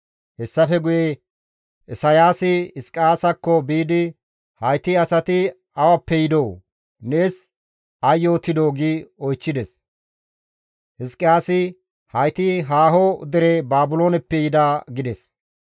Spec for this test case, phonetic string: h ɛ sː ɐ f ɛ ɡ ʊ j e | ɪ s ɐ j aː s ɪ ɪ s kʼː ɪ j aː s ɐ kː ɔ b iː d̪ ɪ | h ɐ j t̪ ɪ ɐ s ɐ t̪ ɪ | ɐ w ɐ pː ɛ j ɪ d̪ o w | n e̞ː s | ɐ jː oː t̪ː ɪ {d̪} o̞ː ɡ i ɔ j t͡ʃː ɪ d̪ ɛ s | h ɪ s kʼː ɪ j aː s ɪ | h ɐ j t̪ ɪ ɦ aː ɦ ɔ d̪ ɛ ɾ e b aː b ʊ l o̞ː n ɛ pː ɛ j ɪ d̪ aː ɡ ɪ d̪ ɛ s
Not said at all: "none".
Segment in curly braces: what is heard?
d̪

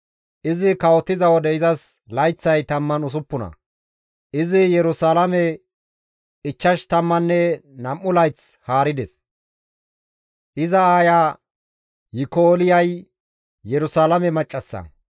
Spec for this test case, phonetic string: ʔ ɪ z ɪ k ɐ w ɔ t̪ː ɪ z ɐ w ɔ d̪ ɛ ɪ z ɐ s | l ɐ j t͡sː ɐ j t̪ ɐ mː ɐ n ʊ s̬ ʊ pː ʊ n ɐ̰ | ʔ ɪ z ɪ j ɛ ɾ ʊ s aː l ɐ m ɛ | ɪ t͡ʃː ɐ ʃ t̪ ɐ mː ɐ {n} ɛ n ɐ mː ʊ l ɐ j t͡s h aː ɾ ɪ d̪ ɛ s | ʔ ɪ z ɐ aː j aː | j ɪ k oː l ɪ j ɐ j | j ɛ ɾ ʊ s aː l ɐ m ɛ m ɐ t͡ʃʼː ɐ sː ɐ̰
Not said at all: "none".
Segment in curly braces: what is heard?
nː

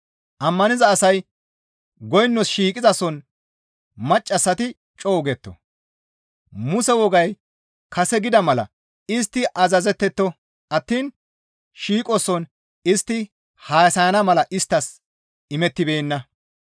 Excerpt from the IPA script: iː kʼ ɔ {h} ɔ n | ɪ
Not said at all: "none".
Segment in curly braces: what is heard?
s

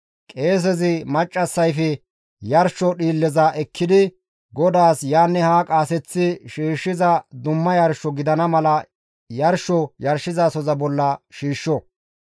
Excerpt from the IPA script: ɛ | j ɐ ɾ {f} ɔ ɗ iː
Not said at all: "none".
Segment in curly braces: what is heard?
ʃ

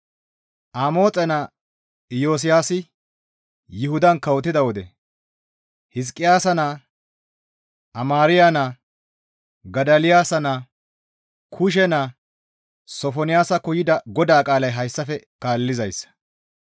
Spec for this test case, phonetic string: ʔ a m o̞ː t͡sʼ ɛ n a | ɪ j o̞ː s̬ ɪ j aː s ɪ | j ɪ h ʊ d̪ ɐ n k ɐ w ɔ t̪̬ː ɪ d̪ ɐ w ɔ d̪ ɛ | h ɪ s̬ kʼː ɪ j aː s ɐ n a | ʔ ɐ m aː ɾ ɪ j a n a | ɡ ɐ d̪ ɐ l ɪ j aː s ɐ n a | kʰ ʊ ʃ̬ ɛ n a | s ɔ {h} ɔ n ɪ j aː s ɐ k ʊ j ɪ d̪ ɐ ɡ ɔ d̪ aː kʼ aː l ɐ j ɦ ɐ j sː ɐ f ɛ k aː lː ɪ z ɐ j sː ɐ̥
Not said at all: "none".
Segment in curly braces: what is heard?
f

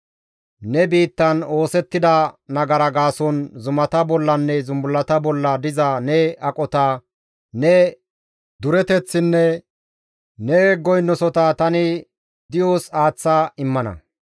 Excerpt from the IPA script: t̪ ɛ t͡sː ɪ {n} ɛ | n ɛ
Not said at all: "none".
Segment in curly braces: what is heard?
nː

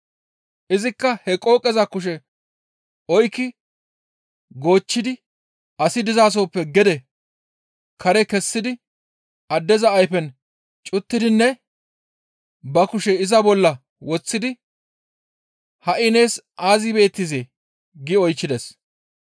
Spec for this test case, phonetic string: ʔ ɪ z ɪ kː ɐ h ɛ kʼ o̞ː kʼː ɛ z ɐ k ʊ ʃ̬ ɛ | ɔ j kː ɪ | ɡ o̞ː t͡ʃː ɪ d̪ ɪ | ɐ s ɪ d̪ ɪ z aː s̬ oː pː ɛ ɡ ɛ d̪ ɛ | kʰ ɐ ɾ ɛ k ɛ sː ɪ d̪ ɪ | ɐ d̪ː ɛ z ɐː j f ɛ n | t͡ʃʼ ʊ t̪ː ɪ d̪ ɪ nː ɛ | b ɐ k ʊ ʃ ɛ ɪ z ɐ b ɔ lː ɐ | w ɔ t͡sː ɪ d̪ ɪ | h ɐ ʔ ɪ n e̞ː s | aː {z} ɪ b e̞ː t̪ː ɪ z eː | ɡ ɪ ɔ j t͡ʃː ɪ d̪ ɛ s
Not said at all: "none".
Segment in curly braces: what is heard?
z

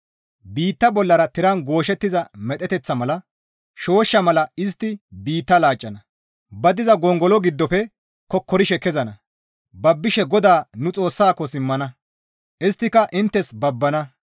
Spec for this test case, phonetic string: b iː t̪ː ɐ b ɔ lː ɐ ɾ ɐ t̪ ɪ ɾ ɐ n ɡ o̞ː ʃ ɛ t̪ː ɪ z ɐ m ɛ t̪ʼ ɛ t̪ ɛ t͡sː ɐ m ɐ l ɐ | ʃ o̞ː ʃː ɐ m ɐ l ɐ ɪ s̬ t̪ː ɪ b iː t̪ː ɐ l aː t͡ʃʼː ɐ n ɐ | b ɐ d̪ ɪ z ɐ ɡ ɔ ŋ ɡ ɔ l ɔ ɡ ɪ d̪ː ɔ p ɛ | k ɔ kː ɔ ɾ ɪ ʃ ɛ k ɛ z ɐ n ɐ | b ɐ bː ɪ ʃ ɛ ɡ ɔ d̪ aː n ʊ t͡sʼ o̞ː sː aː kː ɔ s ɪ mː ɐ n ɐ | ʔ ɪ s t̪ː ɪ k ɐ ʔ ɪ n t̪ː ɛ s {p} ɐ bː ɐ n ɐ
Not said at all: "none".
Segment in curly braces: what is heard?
b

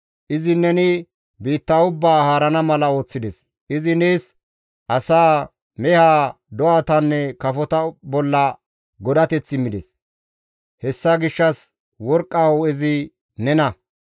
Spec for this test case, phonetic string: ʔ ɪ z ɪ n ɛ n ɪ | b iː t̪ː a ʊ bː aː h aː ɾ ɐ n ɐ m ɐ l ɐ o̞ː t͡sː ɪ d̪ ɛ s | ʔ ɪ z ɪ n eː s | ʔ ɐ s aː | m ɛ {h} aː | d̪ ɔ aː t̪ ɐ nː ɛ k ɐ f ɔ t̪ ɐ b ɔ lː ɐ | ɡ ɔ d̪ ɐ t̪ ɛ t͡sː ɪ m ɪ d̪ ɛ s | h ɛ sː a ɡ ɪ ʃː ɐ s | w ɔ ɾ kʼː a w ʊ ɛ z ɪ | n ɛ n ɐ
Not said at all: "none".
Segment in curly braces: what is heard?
h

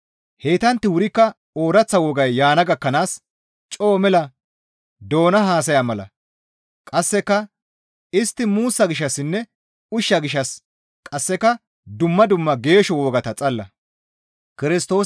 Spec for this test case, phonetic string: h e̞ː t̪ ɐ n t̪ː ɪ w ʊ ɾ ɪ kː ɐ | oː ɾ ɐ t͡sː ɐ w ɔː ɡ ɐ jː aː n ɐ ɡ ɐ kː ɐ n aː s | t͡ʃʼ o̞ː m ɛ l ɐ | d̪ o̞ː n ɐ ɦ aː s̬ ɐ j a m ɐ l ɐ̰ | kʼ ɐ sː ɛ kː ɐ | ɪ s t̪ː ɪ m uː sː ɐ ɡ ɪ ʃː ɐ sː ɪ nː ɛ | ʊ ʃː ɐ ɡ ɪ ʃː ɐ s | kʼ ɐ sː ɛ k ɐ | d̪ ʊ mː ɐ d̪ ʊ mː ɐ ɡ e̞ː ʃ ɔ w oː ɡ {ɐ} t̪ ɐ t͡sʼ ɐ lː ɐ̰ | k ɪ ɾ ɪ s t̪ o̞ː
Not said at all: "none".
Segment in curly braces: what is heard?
ɐ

